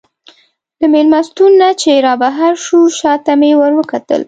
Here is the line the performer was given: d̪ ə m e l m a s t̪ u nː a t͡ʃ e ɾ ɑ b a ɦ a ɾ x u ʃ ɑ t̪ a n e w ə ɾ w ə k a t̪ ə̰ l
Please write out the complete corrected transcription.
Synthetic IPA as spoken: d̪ ə m e l m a s t̪ u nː a t͡ʃ e ɾ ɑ b a ɦ a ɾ ʃ u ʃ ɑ t̪ a m e w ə ɾ w ə k a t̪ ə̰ l